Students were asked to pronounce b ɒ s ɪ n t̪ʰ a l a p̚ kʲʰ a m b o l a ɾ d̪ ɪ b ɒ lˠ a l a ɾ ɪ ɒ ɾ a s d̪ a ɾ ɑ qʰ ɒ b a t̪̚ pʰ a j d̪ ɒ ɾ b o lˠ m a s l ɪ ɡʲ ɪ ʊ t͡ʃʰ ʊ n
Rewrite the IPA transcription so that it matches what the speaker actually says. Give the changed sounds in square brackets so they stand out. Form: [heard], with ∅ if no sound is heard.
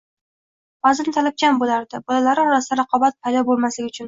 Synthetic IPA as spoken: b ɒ [z] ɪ n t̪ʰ a l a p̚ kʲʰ a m b o l a ɾ d̪ ɪ b ɒ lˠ a l a ɾ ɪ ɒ ɾ a s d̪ a ɾ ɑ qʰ ɒ b a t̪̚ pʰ a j d̪ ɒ [∅] b o lˠ m a s l ɪ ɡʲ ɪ ʊ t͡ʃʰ ʊ n